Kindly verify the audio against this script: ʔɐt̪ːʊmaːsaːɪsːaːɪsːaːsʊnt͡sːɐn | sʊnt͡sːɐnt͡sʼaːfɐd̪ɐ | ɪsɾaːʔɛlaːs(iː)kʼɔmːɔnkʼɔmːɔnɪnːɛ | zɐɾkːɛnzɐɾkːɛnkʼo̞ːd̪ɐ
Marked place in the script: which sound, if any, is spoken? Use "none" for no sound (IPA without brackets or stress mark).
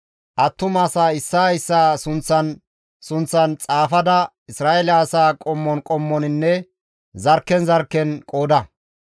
aː